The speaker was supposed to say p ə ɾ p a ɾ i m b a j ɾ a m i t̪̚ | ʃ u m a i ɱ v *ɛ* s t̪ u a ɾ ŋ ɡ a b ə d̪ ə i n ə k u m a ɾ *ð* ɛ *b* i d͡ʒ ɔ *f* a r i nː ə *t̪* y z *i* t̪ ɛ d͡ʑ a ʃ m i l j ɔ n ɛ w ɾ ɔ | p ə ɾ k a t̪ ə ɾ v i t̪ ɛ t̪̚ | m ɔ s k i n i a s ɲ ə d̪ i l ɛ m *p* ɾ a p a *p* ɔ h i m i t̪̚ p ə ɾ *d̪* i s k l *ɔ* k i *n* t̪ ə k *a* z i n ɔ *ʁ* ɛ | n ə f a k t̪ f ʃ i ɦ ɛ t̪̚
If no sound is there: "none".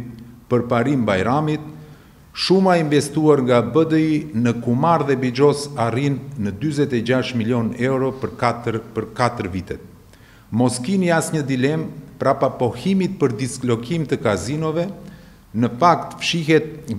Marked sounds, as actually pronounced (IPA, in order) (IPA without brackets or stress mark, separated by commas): ɛ, ð, b, s, d̪, ɛ, p, p, d̪, ɔ, m, a, v